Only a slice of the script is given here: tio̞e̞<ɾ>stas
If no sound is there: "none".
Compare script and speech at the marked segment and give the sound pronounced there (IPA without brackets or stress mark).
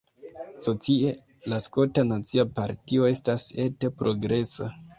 none